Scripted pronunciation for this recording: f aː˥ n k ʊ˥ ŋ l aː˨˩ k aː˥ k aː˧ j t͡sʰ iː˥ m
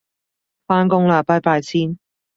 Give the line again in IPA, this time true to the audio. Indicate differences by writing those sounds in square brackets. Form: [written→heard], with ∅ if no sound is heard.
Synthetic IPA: f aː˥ n k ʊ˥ ŋ l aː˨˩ [k→p] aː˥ [k→p] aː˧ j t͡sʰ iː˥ [m→n]